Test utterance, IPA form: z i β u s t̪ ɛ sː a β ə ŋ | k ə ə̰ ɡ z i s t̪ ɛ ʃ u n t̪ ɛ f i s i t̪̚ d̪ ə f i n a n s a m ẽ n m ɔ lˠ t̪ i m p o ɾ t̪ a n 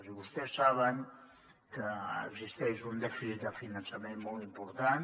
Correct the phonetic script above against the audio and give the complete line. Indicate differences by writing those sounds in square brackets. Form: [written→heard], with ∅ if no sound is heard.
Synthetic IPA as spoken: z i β u s t̪ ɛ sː a β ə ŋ | k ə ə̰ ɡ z i s t̪ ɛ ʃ u n [t̪→d̪] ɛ f i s i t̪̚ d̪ ə f i n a n s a m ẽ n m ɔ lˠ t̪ i m p [o→u] ɾ t̪ a n